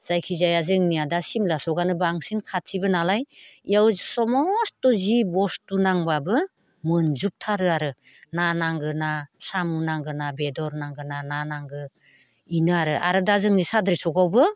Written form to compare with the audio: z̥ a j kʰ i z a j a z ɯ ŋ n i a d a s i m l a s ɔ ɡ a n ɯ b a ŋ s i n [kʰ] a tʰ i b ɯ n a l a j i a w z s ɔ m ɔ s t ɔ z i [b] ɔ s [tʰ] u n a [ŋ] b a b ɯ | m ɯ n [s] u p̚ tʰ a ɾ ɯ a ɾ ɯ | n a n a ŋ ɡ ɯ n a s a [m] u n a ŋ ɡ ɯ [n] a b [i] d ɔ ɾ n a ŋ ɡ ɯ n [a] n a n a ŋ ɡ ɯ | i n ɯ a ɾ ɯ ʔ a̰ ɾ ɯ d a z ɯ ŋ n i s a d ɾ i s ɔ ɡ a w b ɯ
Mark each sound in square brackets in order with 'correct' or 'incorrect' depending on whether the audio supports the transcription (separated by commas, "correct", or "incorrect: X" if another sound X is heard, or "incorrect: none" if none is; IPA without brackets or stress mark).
correct, correct, incorrect: t, correct, incorrect: z, correct, correct, incorrect: e, correct